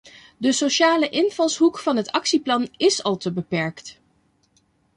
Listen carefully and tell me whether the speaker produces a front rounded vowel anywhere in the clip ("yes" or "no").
no